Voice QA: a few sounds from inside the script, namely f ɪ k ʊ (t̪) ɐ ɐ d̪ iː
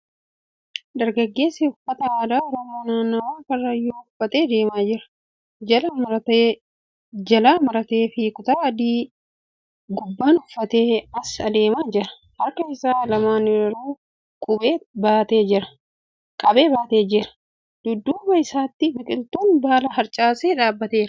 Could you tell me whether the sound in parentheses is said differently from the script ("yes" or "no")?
no